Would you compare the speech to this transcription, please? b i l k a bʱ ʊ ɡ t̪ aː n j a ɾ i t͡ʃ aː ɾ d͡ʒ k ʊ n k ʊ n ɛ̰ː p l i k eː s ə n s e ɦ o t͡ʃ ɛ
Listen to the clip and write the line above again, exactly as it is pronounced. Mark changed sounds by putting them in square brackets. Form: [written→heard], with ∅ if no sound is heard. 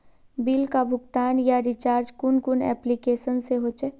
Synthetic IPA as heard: b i l k a bʱ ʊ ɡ t̪ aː n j a ɾ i t͡ʃ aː ɾ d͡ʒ k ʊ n k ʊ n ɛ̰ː p l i k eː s ə n s e ɦ o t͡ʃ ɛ